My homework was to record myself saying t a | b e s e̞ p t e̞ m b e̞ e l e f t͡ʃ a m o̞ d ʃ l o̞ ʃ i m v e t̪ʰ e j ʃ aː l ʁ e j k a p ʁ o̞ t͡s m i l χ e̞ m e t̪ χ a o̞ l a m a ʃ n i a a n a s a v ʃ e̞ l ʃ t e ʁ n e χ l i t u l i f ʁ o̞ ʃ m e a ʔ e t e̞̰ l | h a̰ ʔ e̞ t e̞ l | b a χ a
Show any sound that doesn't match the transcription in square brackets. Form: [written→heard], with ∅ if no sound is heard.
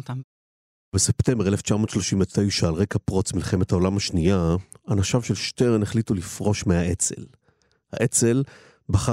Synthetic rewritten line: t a | b e s e̞ p t e̞ m b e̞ e l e f t͡ʃ a m o̞ [d→t] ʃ l o̞ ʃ i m v e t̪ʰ e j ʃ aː l ʁ e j k a p ʁ o̞ t͡s m i l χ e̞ m e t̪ [χ→h] a o̞ l a m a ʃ n i a a n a [s→ʃ] a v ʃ e̞ l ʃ t e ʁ n e χ l i t u l i f ʁ o̞ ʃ m e a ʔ e [t→t͡s] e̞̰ l | h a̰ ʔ e̞ [t→t͡s] e̞ l | b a χ a